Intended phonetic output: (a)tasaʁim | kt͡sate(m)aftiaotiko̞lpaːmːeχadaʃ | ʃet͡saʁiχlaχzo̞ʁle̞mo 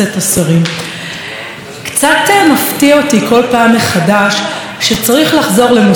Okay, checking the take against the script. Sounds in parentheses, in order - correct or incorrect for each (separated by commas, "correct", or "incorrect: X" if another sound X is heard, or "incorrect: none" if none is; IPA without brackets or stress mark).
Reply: incorrect: e, correct